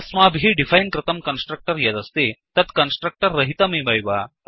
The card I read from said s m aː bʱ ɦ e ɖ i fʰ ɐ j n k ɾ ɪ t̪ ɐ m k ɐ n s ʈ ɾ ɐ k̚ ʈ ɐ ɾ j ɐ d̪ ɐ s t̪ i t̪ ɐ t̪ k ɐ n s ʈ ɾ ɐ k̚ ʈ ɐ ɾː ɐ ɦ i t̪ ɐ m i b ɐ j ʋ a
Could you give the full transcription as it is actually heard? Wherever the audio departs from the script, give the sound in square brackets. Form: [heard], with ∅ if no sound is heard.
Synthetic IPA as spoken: s m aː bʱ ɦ [i] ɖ i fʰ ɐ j n k ɾ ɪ t̪ ɐ m k ɐ n s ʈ ɾ ɐ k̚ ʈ ɐ ɾ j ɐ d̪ ɐ s t̪ i t̪ ɐ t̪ k ɐ n s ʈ ɾ ɐ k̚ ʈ ɐ ɾː ɐ ɦ i t̪ ɐ m i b ɐ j ʋ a